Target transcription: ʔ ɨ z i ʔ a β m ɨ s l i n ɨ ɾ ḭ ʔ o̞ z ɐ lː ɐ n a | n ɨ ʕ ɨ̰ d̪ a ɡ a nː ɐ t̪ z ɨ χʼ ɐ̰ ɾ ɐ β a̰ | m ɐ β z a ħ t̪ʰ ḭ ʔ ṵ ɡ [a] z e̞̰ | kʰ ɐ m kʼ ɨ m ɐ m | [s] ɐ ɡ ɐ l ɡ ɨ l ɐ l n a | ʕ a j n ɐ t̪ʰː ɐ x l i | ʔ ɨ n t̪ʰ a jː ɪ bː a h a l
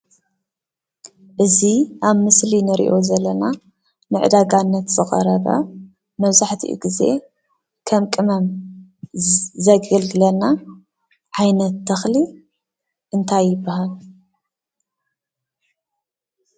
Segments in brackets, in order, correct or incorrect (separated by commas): incorrect, incorrect